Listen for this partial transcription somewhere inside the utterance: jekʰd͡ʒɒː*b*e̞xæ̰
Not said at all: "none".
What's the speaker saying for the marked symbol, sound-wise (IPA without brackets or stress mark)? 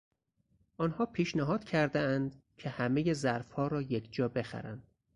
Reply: b